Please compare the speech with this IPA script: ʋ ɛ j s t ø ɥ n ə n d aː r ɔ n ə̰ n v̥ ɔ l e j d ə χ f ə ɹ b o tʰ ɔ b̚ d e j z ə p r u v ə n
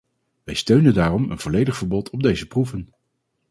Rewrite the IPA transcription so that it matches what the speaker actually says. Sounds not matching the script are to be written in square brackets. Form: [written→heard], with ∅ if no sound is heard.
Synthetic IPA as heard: ʋ ɛ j s t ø ɥ n ə n d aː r ɔ [n→m] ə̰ n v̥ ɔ l e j d ə χ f ə ɹ b [o→ɔ] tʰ ɔ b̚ d e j z ə p r u v ə n